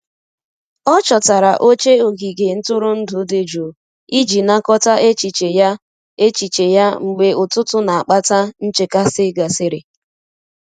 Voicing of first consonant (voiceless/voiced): voiceless